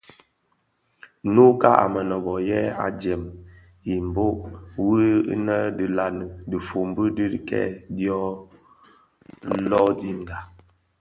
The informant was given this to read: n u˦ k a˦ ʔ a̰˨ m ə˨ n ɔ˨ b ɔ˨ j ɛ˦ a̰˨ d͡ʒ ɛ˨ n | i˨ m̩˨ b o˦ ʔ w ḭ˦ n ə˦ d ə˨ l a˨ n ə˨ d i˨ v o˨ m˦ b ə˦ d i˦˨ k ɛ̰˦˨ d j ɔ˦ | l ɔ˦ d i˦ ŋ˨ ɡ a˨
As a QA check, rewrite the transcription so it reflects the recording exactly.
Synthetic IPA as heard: n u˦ k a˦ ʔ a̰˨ m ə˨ n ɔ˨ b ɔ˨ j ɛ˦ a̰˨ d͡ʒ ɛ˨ m | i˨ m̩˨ b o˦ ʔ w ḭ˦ n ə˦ d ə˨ l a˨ n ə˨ d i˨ f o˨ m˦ b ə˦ d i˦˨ k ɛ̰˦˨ d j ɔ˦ | l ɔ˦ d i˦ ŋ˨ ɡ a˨